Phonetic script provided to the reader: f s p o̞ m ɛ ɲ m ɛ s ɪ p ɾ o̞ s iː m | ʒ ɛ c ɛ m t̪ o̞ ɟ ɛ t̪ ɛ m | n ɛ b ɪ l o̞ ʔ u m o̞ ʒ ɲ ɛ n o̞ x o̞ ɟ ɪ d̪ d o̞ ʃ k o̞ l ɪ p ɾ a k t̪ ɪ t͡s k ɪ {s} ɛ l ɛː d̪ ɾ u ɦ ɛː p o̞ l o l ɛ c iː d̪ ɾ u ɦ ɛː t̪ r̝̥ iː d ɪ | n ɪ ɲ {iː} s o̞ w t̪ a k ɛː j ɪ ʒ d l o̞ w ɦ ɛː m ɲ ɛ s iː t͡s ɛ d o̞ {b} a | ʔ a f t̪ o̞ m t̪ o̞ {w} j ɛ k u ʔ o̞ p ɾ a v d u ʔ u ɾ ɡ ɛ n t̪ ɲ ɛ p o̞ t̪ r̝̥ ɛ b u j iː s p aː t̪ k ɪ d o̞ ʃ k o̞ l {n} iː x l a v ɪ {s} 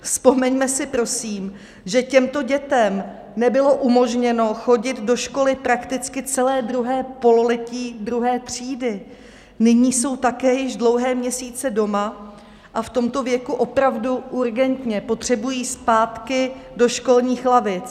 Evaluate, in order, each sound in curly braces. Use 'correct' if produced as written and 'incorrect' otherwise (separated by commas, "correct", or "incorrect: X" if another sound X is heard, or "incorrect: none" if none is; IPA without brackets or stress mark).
incorrect: t͡s, correct, incorrect: m, incorrect: v, incorrect: ɲ, incorrect: t͡s